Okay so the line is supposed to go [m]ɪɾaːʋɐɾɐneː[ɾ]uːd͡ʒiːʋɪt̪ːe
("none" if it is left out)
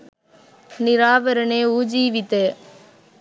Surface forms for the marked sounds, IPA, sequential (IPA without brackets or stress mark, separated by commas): n, none